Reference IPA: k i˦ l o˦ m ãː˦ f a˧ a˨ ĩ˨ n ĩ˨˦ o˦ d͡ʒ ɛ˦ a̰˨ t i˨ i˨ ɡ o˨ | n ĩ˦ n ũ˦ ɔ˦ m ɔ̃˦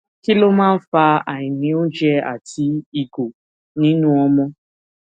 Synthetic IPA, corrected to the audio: k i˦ l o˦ m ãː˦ f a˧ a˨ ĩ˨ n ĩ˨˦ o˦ d͡ʒ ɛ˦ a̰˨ t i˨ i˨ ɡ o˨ | n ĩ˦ n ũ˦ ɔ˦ m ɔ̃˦